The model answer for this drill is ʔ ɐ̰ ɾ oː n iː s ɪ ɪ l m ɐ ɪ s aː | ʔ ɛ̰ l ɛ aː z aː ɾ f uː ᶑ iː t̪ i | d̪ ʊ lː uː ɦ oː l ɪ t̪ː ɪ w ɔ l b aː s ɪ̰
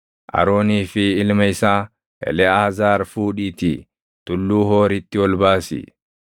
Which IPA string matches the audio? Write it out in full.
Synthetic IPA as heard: ʔ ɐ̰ ɾ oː n iː f ɪ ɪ l m ɐ ɪ s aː | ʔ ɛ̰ l ɛ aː z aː ɾ f uː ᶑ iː t̪ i | t̪ ʊ lː uː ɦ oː ɾ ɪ t̪ː ɪ w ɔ l b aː s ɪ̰